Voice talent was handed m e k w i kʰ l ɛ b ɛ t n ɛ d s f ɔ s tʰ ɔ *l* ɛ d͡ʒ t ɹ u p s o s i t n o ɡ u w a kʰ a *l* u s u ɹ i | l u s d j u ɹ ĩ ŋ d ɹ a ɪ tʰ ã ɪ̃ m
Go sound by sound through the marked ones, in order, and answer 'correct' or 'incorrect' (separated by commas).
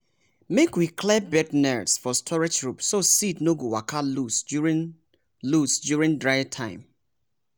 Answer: incorrect, correct